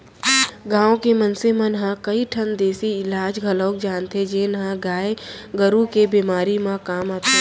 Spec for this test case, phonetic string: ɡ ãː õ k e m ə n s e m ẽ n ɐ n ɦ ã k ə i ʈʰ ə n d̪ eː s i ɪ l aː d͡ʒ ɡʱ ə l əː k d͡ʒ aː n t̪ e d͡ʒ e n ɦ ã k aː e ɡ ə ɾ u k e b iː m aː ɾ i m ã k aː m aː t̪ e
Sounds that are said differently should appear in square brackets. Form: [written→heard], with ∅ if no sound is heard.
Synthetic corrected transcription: ɡ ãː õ k e m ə n s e m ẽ n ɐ [n→∅] ɦ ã k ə i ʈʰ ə n d̪ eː s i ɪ l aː d͡ʒ ɡʱ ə l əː k d͡ʒ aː n t̪ e d͡ʒ e n ɦ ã [k→ɡ] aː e ɡ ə ɾ u k e b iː m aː ɾ i m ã k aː m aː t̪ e

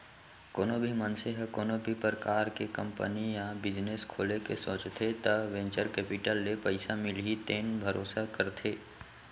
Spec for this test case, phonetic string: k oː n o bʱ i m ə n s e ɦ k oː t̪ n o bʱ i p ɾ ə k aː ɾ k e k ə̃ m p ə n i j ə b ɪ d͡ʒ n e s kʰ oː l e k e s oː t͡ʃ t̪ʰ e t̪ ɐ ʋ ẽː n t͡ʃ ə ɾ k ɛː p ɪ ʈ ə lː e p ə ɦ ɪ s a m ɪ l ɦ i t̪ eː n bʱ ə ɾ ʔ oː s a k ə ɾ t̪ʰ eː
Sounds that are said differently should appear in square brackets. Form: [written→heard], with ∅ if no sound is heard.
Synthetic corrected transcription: k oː n o bʱ i m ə n s e ɦ k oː [t̪→∅] n o bʱ i p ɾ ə k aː ɾ k e k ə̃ m p ə n i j [ə→a] b ɪ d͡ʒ n e s kʰ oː l e k e s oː t͡ʃ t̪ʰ e t̪ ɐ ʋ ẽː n t͡ʃ ə ɾ k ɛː p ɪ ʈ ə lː e p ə [ɦ→∅] ɪ s a m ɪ l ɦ i t̪ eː n bʱ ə ɾ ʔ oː s a k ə ɾ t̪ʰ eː

